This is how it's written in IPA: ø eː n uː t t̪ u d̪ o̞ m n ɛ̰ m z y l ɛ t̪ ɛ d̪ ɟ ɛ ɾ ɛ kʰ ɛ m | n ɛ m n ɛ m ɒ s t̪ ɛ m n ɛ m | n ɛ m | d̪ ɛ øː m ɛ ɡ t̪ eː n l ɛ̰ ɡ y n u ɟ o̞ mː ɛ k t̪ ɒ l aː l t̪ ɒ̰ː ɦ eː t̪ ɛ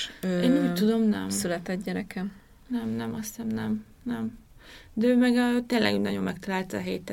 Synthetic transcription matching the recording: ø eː n uː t t̪ u d̪ o̞ m n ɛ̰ m s y l ɛ t̪ ɛ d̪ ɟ ɛ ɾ ɛ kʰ ɛ m | n ɛ m n ɛ m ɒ s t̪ ɛ m n ɛ m | n ɛ m | d̪ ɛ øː m ɛ ɡ t̪ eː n l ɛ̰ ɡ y n ɒ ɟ o̞ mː ɛ k t̪ ɒ l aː l t̪ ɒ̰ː ɦ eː t̪ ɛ